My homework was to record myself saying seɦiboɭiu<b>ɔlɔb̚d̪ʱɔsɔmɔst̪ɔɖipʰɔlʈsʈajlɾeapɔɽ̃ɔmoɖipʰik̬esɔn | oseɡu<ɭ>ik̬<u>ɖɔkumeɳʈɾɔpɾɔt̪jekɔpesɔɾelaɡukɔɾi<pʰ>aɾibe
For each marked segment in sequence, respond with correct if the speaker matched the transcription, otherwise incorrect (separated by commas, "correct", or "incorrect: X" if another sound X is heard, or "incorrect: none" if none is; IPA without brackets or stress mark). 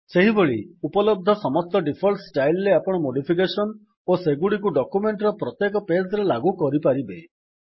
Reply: incorrect: p, incorrect: ɽ, correct, incorrect: p